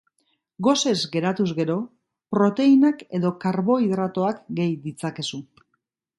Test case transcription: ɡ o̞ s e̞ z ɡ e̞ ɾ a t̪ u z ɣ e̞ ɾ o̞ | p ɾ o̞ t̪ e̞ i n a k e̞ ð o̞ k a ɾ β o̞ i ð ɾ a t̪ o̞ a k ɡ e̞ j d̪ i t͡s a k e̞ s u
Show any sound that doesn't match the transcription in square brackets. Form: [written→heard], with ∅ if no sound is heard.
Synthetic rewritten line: ɡ o̞ s e̞ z ɡ e̞ ɾ a t̪ u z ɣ e̞ ɾ o̞ | p ɾ o̞ t̪ e̞ i n a k e̞ ð o̞ k a ɾ β o̞ i ð ɾ a t̪ o̞ a k ɡ e̞ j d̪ i t͡s a k e̞ s u